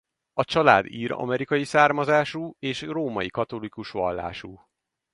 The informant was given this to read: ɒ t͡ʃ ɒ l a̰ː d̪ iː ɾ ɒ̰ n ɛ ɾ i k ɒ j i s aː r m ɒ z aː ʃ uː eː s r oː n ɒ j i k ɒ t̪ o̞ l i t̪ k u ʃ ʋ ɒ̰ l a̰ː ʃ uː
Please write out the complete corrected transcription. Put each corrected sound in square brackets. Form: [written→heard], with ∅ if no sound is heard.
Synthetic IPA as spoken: ɒ t͡ʃ ɒ l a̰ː d̪ iː ɾ ɒ̰ [n→m] ɛ ɾ i k ɒ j i s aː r m ɒ z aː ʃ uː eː [s→ʃ] r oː [n→m] ɒ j i k ɒ t̪ o̞ l i [t̪→∅] k u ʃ ʋ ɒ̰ [l→lː] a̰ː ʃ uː